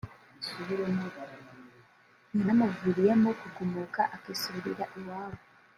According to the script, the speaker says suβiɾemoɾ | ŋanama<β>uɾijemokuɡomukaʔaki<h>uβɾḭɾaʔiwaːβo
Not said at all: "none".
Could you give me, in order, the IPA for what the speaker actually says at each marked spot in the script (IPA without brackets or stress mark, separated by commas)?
v, s